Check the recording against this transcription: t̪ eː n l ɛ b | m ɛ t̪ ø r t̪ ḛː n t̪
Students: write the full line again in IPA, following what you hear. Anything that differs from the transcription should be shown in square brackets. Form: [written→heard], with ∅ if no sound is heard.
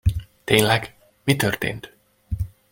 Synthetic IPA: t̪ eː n l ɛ [b→ɡ] | m [ɛ→i] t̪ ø r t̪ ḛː n t̪

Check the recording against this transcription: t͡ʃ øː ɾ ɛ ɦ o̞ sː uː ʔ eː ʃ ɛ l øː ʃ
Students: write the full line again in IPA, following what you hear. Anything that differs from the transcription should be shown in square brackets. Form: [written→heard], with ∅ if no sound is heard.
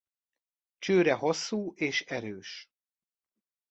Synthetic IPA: t͡ʃ øː ɾ ɛ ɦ o̞ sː uː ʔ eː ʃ ɛ [l→ɾ] øː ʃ

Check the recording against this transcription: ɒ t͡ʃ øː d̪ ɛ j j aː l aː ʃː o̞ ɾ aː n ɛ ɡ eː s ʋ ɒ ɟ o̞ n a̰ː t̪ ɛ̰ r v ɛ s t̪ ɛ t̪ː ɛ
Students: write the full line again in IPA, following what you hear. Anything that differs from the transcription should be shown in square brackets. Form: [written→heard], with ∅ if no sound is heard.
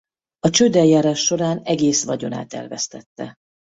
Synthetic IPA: ɒ t͡ʃ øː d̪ ɛ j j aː [l→ɾ] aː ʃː o̞ ɾ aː n ɛ ɡ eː s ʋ ɒ ɟ o̞ n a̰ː t̪ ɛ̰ r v ɛ s t̪ ɛ t̪ː ɛ

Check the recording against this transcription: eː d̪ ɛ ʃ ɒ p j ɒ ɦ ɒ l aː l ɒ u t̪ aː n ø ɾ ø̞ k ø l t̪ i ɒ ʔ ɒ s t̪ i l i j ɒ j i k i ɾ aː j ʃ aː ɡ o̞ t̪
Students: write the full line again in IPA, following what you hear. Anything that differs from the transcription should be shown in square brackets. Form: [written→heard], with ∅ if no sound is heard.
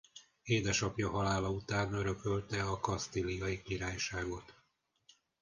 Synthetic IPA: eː d̪ ɛ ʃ ɒ p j ɒ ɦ ɒ l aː l ɒ u t̪ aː n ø ɾ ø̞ k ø l t̪ [i→ɛ] ɒ [ʔ→k] ɒ s t̪ i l i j ɒ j i k i ɾ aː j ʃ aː ɡ o̞ t̪

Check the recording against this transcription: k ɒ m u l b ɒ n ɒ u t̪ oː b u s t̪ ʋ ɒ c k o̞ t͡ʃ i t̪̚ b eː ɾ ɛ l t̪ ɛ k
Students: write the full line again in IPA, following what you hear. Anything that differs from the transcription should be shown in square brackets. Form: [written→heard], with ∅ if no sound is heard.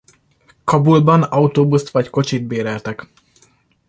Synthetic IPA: k ɒ [m→b] u l b ɒ n ɒ u t̪ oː b u s t̪ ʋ ɒ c k o̞ t͡ʃ i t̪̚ b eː ɾ ɛ l t̪ ɛ k

